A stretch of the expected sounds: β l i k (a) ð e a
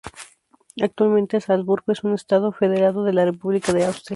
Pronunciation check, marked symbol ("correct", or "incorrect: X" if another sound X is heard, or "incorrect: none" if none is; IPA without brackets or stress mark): correct